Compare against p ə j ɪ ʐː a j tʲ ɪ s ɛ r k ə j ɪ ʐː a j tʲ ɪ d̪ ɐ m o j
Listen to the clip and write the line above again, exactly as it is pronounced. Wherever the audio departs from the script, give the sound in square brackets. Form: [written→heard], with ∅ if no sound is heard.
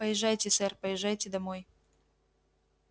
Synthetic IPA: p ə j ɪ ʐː a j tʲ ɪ s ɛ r [k→p] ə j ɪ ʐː a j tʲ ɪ d̪ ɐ m o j